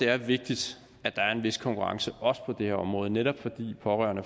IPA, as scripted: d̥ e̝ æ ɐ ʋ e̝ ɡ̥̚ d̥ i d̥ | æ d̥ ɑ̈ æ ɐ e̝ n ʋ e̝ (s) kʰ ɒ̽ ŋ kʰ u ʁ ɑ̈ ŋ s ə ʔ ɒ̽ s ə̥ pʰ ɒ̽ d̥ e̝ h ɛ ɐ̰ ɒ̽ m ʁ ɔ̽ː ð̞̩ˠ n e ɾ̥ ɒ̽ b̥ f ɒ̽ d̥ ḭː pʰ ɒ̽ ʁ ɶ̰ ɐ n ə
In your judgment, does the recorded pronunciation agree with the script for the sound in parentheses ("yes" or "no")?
yes